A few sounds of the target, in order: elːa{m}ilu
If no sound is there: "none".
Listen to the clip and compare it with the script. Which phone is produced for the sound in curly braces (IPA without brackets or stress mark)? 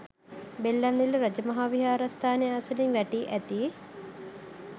n